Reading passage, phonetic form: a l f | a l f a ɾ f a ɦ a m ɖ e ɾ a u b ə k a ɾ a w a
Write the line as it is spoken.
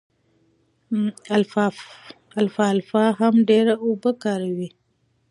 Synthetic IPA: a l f | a l f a l f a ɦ a m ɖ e ɾ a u b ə k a ɾ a w i